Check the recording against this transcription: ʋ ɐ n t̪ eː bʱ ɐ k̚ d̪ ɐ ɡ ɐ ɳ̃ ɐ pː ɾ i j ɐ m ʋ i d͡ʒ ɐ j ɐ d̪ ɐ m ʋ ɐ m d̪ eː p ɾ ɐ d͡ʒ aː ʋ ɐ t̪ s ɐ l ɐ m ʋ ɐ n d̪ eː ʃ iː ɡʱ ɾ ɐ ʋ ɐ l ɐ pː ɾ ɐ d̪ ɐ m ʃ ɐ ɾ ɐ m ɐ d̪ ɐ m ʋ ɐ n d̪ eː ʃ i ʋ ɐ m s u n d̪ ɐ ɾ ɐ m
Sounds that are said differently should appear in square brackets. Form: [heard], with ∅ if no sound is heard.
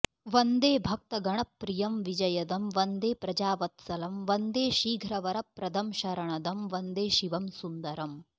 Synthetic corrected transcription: ʋ ɐ n [d̪] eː bʱ ɐ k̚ [t̪] ɐ ɡ ɐ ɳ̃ ɐ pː ɾ i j ɐ m ʋ i d͡ʒ ɐ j ɐ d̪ ɐ m ʋ ɐ [n] d̪ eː p ɾ ɐ d͡ʒ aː ʋ ɐ t̪ s ɐ l ɐ m ʋ ɐ n d̪ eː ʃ iː ɡʱ ɾ ɐ ʋ ɐ [ɾ] ɐ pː ɾ ɐ d̪ ɐ m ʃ ɐ ɾ ɐ [ɳ] ɐ d̪ ɐ m ʋ ɐ n d̪ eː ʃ i ʋ ɐ m s u n d̪ ɐ ɾ ɐ m